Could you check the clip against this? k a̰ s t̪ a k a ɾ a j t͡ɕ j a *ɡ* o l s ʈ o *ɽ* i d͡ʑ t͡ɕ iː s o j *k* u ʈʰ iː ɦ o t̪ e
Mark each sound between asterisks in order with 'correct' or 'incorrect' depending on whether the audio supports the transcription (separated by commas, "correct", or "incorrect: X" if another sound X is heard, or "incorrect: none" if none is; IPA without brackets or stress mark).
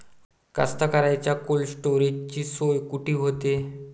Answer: incorrect: k, incorrect: ɾ, correct